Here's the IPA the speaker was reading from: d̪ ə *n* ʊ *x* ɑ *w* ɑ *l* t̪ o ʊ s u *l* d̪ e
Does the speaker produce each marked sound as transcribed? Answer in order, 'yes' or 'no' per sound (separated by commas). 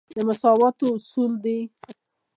no, no, yes, no, yes